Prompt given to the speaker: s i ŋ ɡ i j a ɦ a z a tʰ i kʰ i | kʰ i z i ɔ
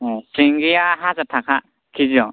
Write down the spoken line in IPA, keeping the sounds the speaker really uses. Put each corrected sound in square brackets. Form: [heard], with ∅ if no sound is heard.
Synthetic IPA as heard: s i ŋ ɡ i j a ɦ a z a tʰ [a] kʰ [a] | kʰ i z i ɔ